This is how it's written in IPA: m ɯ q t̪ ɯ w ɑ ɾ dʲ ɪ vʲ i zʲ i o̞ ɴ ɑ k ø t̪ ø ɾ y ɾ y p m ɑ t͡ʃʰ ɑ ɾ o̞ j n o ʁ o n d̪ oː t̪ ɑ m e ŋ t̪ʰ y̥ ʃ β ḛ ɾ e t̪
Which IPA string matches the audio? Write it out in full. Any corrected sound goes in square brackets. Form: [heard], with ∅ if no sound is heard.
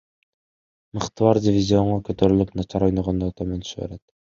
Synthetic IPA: m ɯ q t̪ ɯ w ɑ ɾ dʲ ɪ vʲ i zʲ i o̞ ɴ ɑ k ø t̪ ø ɾ y [l] y p [n] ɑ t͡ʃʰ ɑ ɾ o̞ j n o ʁ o n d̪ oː t̪ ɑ m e [n] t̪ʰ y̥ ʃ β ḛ ɾ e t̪